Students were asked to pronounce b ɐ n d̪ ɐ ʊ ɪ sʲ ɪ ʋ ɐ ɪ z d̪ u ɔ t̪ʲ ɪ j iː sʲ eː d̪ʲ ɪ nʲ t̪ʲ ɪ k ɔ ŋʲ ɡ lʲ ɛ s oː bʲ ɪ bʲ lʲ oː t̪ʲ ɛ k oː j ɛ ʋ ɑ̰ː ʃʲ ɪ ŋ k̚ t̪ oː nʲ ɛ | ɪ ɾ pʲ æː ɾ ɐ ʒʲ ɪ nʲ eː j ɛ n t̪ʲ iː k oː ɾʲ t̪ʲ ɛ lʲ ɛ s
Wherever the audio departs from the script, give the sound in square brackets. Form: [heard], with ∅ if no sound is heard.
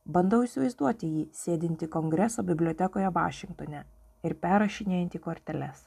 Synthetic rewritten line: b ɐ n d̪ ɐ ʊ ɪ sʲ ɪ ʋ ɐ ɪ z d̪ u ɔ t̪ʲ ɪ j iː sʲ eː d̪ʲ ɪ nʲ t̪ʲ ɪ k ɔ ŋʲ ɡ [ɾʲ] ɛ s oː bʲ ɪ bʲ lʲ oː t̪ʲ ɛ k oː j ɛ ʋ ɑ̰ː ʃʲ ɪ ŋ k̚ t̪ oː nʲ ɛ | ɪ ɾ pʲ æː ɾ ɐ [ʃʲ] ɪ nʲ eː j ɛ n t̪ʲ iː k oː ɾʲ t̪ʲ ɛ lʲ ɛ s